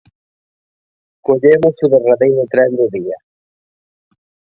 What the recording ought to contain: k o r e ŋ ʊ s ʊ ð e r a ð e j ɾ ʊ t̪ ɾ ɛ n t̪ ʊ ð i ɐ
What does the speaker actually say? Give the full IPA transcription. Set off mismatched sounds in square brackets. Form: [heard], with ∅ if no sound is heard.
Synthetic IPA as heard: k o [ʎ] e [m] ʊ s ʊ ð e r a ð e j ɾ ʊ t̪ ɾ ɛ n [d̪] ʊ ð i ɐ